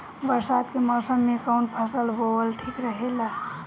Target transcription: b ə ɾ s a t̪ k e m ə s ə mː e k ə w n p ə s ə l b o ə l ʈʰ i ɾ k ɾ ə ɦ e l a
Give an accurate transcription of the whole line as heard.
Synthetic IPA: b ə ɾ s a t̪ k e m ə s ə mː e k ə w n pʰ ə s ə l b o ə l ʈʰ i k ɾ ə ɦ e l a